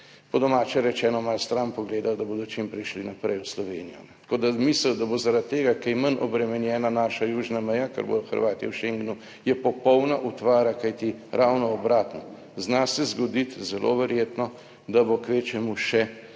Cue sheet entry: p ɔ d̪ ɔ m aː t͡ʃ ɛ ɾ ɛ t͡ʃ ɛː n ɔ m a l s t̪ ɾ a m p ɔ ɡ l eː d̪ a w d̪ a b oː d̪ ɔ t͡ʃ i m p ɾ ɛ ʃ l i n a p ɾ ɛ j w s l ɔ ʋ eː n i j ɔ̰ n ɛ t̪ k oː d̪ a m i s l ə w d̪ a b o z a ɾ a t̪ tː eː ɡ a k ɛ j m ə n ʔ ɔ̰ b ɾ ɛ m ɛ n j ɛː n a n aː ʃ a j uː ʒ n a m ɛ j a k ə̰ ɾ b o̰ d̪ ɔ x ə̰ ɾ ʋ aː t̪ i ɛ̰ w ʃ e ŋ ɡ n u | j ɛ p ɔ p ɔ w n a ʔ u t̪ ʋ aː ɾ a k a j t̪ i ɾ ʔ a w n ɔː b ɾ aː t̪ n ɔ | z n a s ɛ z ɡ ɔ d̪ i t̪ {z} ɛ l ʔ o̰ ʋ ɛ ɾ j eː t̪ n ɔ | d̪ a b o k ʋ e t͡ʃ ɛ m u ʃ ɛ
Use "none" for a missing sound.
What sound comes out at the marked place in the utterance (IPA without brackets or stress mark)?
z